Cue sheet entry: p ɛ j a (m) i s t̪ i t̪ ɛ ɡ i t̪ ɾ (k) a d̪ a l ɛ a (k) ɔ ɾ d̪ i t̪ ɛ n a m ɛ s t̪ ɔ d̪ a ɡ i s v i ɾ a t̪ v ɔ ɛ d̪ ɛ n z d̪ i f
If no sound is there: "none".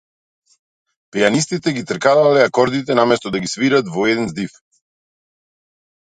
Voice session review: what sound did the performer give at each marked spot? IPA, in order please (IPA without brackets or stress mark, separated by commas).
n, k, k